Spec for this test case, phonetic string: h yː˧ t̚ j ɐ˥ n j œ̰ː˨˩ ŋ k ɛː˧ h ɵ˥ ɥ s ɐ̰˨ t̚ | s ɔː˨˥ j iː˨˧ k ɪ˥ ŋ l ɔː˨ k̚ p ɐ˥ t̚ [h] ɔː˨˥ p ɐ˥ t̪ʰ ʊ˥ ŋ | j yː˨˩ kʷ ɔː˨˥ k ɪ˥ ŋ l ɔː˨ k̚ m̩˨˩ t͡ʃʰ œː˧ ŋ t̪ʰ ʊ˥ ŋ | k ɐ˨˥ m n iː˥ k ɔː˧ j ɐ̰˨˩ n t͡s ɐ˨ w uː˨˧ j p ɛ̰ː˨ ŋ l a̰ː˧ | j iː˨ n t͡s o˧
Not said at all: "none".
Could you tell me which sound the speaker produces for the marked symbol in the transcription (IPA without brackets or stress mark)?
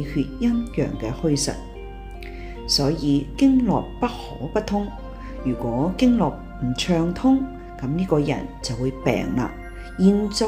h